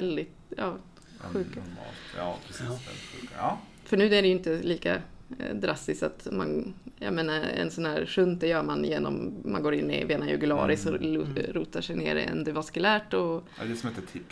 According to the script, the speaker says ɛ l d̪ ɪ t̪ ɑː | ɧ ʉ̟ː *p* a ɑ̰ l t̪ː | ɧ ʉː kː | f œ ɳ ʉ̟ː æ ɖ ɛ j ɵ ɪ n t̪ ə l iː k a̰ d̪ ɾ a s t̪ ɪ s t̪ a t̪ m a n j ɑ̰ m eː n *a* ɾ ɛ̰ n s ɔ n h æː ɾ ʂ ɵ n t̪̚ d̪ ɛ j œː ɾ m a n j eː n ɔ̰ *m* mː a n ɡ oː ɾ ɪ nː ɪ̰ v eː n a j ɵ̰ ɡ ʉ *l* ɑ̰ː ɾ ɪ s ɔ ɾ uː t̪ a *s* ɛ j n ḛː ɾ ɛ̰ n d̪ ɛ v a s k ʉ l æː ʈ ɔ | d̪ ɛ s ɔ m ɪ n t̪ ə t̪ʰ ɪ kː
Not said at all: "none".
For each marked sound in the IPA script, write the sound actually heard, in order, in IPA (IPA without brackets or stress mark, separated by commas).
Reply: k, a, m, l, ʂ